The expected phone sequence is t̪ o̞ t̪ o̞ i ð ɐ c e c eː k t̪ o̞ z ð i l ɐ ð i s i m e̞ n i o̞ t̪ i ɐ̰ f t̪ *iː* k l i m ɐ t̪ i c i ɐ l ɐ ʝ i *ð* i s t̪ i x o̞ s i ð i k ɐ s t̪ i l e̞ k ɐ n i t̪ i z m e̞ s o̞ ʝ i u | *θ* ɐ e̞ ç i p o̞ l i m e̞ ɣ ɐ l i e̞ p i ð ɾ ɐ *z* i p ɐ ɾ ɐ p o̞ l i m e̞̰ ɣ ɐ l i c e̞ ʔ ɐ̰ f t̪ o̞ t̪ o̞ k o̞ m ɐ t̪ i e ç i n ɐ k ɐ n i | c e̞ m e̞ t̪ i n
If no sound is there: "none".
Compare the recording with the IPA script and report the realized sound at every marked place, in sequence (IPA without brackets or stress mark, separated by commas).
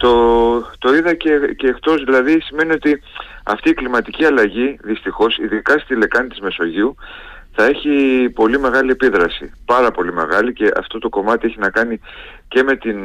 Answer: iː, ð, θ, s